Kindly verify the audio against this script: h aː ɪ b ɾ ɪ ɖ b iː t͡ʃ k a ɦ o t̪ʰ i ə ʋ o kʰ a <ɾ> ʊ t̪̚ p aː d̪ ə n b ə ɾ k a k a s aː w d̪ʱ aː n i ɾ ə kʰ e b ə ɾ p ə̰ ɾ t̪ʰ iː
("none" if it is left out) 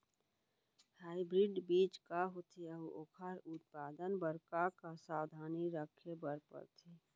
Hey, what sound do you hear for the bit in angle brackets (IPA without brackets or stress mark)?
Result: ɾ